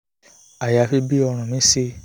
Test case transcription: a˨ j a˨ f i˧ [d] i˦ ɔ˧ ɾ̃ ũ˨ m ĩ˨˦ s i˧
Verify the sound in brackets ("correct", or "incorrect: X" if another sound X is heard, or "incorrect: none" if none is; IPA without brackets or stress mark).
incorrect: b